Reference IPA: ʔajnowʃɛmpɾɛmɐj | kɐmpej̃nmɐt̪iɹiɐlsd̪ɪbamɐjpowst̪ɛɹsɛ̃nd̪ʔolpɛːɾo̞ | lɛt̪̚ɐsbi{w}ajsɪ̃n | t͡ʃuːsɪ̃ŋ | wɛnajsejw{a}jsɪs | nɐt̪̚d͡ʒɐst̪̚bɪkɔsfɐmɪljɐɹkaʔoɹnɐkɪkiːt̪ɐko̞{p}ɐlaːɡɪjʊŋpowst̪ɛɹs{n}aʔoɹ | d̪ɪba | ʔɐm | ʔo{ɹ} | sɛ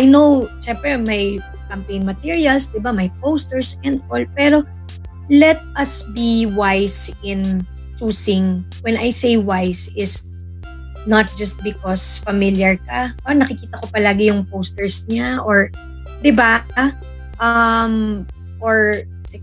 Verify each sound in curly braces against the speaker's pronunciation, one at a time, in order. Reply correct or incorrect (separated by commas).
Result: correct, correct, correct, incorrect, correct